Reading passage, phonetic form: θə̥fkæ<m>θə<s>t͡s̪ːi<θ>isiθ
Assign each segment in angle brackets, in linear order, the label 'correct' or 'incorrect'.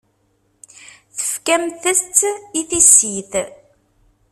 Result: correct, correct, correct

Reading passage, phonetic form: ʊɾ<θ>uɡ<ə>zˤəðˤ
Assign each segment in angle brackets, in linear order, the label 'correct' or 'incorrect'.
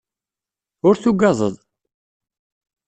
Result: correct, incorrect: ɑ

